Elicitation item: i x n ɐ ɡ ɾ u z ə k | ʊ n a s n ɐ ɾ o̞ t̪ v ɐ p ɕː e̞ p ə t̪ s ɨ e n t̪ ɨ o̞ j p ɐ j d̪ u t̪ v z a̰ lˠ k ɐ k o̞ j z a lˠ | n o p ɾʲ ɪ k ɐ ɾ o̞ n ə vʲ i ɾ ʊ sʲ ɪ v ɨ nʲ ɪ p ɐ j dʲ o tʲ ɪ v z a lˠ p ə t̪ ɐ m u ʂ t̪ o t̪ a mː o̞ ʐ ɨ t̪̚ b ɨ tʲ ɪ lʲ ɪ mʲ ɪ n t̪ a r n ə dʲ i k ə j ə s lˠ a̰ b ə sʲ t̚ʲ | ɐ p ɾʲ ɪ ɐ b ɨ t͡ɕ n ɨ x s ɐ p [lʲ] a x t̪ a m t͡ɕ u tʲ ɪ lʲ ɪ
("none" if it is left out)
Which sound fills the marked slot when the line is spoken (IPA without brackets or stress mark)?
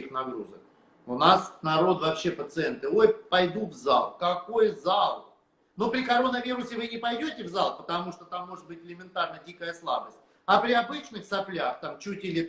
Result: lʲ